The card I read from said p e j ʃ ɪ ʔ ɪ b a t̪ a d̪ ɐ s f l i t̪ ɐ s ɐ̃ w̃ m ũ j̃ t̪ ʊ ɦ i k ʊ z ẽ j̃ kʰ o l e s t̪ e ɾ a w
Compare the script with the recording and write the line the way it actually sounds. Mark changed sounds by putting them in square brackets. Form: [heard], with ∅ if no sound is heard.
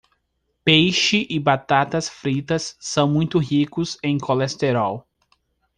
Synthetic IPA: p e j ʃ ɪ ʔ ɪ b a t̪ a [t̪] ɐ s f [ɾ] i t̪ ɐ [sː] ɐ̃ w̃ m ũ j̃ t̪ ʊ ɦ i k ʊ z ẽ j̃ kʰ o l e s t̪ e ɾ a w